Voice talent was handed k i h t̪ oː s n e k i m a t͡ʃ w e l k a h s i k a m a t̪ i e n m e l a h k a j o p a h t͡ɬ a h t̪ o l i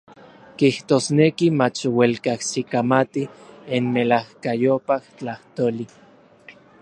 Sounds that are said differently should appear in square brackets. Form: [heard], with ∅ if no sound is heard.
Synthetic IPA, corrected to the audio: k i h t̪ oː s n e k i m a t͡ʃ w e l k a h s i k a m a t̪ i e n m e l a h k a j o p a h t͡ɬ a h t̪ o l i